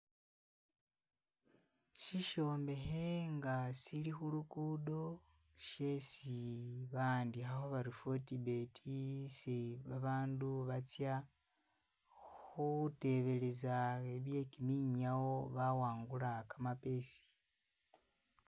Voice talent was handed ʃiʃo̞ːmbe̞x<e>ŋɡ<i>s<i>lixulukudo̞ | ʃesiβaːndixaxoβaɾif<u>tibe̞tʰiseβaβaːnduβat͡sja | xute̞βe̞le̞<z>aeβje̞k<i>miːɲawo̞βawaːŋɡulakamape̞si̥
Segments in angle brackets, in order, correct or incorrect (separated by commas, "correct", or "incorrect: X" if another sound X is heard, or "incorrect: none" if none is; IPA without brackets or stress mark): correct, incorrect: a, correct, incorrect: o, correct, correct